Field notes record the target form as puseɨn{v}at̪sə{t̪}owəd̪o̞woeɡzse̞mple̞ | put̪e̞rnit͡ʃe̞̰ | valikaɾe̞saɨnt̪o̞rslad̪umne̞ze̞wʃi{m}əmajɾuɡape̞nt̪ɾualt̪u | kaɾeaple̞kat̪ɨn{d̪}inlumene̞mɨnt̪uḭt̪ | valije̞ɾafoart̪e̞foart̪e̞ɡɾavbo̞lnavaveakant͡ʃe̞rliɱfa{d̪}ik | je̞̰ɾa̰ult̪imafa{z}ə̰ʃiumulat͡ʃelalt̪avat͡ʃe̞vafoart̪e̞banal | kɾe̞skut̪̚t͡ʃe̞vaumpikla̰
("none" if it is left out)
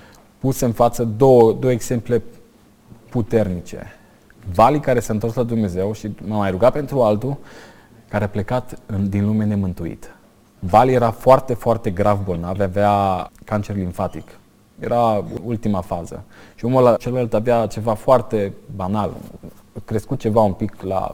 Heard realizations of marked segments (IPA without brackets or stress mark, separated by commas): f, d̪, m, d̪, t̪, z